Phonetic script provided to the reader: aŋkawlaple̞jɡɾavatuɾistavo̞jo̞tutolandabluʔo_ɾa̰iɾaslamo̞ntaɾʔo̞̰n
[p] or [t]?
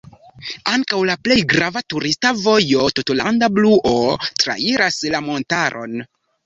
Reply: t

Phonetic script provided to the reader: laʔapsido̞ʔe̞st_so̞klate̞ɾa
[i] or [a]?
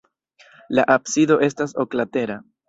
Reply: a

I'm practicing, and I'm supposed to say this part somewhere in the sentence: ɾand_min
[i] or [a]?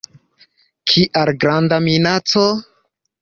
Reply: a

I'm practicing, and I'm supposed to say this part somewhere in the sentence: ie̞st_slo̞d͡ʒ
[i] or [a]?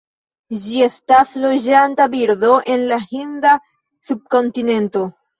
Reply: a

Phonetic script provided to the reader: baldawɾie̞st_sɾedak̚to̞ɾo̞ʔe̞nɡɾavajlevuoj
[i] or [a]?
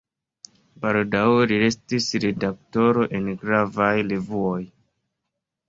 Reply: i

